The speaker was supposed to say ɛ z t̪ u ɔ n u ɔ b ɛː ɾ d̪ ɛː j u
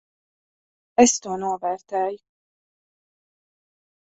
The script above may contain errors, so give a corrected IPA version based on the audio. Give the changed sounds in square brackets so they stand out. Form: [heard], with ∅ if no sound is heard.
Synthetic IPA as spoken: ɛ [s] t̪ u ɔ n u ɔ [v] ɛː ɾ [t̪] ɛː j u